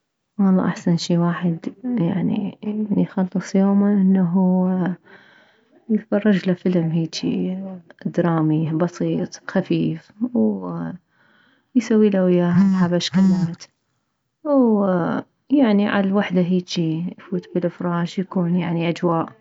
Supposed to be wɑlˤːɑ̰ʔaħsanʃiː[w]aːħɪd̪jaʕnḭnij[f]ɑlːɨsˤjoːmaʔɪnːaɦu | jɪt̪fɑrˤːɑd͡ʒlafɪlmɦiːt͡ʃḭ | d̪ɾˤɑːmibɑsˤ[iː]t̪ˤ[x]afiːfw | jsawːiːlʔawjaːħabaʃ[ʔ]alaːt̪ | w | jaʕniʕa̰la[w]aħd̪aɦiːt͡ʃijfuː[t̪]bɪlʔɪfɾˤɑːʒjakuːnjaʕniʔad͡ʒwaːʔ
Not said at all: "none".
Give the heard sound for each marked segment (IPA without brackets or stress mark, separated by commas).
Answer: w, x, iː, x, k, w, t̪